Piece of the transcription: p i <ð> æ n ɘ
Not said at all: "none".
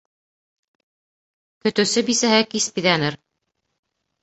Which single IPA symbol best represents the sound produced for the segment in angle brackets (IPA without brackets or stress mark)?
ð